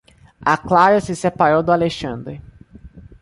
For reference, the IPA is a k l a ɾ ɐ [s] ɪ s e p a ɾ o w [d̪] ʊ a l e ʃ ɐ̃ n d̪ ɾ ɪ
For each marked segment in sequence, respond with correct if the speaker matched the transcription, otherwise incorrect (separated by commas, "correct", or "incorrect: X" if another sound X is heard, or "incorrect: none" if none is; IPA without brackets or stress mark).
correct, correct